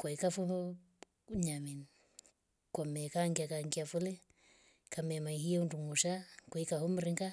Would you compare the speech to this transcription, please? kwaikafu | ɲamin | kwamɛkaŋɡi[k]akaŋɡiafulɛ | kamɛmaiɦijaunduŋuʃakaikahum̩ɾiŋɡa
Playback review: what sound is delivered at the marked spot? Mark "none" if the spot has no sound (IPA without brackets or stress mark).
none